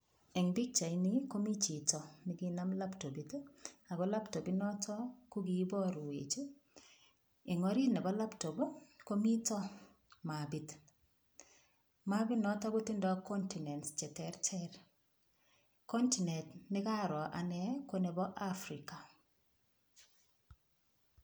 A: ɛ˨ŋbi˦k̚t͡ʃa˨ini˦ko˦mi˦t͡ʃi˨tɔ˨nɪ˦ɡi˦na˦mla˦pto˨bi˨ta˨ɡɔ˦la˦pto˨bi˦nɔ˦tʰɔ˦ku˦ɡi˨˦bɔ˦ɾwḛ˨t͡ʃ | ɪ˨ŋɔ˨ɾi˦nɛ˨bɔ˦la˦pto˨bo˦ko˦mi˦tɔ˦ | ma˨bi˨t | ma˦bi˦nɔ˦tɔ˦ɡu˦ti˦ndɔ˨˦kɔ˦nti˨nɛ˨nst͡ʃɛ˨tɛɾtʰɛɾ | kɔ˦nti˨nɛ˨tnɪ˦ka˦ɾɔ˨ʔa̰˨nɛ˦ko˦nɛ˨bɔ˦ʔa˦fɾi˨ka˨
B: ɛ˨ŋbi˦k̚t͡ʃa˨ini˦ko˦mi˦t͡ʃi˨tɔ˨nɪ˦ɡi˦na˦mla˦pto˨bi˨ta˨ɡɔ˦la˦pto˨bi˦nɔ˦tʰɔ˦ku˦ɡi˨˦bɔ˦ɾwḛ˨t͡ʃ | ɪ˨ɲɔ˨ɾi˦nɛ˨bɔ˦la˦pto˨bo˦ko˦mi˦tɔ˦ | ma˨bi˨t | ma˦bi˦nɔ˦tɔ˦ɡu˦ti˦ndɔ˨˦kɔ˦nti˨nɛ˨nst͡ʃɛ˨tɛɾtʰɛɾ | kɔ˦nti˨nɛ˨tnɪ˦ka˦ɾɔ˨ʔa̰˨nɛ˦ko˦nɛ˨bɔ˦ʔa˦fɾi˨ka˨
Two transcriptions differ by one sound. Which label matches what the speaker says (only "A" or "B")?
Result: A